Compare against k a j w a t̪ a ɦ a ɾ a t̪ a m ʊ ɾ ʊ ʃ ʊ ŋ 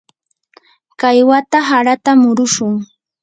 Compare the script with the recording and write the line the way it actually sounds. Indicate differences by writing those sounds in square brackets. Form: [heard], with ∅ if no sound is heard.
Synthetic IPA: k a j w a t̪ a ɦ a ɾ a t̪ a m ʊ ɾ ʊ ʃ ʊ ŋ